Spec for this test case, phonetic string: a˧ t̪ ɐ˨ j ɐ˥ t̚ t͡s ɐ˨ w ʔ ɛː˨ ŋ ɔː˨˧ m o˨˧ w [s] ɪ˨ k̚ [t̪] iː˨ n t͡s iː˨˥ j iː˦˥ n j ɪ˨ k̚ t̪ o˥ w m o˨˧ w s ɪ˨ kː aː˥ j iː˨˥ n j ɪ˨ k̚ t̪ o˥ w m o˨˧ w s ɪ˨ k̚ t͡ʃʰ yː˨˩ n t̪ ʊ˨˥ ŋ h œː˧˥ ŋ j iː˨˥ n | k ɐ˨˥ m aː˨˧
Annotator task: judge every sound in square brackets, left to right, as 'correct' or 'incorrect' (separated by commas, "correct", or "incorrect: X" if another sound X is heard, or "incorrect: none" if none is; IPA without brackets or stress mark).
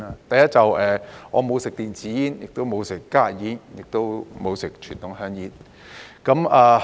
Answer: correct, correct